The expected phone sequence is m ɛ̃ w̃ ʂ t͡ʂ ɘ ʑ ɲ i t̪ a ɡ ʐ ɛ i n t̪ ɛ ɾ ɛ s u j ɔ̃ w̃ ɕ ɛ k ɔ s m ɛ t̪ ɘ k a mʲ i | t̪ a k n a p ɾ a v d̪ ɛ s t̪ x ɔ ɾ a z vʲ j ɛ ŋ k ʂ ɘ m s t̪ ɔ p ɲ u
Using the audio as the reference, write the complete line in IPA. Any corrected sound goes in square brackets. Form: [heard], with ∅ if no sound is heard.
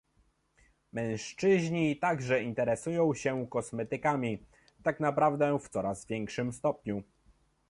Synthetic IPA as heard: m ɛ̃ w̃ ʂ t͡ʂ ɘ ʑ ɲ i t̪ a ɡ ʐ ɛ i n t̪ ɛ ɾ ɛ s u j ɔ̃ w̃ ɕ ɛ k ɔ s m ɛ t̪ ɘ k a mʲ i | t̪ a k n a p ɾ a v d̪ ɛ [f] t̪ [s] ɔ ɾ a z vʲ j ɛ ŋ k ʂ ɘ m s t̪ ɔ p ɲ u